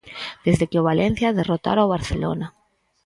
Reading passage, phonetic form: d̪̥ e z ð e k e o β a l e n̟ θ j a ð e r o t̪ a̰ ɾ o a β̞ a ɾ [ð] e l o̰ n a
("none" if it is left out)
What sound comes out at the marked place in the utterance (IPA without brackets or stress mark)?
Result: θ